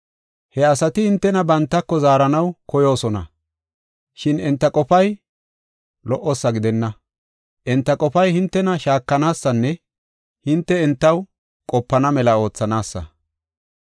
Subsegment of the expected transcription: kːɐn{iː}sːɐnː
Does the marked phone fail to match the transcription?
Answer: yes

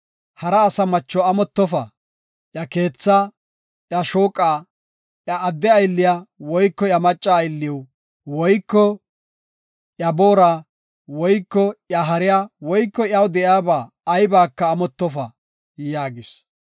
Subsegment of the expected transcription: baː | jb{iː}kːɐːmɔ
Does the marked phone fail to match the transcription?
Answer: yes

